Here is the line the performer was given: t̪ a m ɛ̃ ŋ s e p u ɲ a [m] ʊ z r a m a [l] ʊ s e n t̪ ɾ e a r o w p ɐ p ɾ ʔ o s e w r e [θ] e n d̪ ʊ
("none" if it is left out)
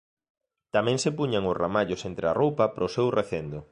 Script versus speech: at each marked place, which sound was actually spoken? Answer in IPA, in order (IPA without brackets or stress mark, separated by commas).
ŋ, ʎ, θ